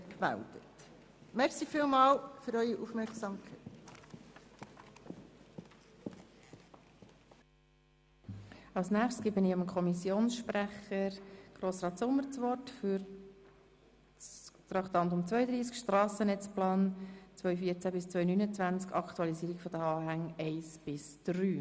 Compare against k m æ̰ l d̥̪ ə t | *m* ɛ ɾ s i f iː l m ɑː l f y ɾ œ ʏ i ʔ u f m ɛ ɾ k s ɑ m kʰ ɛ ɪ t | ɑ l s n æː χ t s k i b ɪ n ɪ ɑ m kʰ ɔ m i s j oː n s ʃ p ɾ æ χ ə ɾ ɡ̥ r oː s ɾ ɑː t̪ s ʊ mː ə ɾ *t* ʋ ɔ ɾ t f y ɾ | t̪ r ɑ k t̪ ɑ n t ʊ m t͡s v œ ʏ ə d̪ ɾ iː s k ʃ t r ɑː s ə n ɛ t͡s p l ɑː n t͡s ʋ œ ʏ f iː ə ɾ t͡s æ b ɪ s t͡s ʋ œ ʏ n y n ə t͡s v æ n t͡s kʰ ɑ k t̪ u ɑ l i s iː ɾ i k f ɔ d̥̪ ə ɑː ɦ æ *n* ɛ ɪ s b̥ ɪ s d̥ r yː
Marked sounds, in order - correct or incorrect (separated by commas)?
correct, incorrect, incorrect